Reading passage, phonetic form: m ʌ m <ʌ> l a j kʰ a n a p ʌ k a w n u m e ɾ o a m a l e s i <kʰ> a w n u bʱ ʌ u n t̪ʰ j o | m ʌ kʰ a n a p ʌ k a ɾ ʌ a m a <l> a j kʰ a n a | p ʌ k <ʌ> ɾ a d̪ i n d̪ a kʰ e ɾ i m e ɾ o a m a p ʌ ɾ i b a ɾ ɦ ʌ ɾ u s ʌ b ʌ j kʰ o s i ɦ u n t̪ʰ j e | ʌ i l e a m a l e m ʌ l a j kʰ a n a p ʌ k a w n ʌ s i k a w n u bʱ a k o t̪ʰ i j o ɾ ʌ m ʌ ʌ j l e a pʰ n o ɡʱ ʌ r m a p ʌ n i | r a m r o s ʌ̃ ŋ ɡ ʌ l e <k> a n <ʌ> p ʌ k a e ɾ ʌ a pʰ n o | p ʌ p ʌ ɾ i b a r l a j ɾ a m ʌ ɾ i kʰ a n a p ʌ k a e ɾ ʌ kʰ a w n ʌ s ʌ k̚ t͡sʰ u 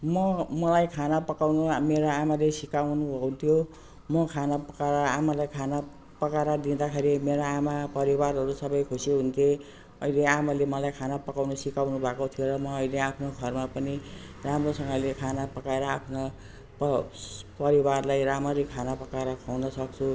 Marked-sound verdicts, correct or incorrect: correct, incorrect: k, correct, incorrect: a, incorrect: kʰ, incorrect: a

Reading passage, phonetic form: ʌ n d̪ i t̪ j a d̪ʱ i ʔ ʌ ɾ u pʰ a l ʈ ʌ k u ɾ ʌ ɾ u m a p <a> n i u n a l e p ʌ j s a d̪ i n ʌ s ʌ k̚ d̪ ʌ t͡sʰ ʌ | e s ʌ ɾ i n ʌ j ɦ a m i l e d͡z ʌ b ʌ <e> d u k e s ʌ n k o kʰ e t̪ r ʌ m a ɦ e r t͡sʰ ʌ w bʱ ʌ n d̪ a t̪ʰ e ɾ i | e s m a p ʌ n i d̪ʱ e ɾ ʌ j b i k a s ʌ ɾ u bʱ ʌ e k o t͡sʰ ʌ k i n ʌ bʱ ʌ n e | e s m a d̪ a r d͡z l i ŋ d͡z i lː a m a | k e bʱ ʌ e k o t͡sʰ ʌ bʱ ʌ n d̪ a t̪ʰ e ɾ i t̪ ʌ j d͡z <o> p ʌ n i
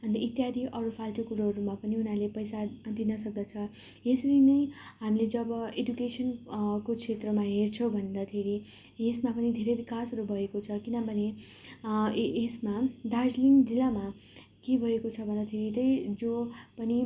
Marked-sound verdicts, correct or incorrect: incorrect: ʌ, correct, correct

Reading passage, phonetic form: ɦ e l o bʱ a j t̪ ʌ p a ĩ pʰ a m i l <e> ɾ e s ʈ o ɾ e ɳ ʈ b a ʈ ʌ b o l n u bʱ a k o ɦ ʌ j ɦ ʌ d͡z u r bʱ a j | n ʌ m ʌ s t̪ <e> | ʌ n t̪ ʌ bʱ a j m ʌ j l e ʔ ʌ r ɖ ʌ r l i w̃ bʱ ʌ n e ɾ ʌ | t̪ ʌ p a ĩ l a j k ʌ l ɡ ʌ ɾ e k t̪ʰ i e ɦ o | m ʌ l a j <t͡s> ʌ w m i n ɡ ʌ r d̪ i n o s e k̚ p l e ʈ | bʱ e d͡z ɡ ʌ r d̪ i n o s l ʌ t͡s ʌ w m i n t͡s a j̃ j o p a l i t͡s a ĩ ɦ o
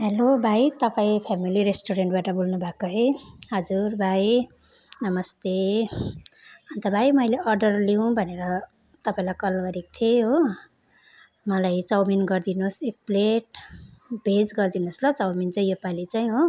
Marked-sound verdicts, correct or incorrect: incorrect: i, correct, correct

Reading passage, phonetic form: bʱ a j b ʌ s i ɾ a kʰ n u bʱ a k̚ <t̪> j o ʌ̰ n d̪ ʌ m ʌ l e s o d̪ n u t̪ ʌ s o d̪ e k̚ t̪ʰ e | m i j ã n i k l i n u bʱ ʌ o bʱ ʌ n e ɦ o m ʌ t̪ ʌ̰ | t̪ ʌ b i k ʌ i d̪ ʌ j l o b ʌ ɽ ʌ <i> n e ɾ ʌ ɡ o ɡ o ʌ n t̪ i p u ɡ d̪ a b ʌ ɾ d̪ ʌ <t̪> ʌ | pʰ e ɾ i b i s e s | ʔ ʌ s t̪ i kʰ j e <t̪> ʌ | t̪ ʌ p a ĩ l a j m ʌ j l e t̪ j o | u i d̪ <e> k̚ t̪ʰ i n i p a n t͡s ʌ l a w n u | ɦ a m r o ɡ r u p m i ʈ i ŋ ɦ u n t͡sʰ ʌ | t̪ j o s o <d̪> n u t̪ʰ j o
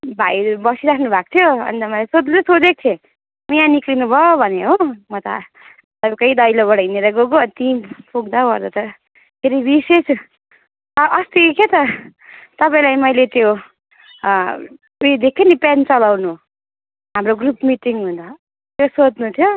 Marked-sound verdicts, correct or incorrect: incorrect: t̪ʰ, correct, correct, correct, correct, correct

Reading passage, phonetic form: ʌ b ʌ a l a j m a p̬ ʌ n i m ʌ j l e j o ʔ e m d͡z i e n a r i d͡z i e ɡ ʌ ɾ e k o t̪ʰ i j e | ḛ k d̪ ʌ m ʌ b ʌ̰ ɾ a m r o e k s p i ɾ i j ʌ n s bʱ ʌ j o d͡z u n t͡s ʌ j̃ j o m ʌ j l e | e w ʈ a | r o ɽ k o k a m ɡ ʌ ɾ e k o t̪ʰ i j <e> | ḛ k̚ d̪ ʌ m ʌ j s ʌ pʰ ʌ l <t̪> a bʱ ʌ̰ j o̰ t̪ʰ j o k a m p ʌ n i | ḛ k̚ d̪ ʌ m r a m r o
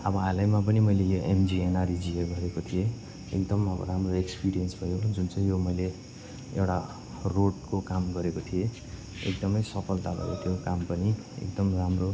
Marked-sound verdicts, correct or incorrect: correct, correct

